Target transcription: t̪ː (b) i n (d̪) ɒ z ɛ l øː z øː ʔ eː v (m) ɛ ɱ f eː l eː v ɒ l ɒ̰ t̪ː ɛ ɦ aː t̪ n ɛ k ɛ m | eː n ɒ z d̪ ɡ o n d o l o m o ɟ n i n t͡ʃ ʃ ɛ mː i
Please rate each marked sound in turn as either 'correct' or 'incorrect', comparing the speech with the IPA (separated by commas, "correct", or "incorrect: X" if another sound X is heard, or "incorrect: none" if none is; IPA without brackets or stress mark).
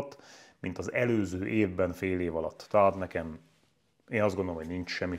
incorrect: m, incorrect: t̪, incorrect: b